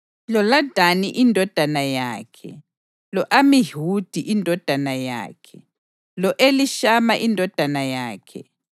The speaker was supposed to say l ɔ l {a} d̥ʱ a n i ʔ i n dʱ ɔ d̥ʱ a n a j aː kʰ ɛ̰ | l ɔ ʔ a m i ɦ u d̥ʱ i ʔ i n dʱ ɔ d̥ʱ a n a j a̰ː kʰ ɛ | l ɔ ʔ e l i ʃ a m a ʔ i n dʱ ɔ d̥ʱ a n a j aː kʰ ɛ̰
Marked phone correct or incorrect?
correct